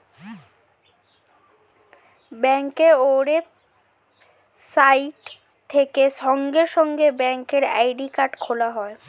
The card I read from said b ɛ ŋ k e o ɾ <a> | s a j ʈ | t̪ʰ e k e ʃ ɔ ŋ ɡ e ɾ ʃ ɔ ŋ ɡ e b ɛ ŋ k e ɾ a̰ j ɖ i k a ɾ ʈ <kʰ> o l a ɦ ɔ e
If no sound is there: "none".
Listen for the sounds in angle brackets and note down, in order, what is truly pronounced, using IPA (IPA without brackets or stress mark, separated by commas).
e, kʰ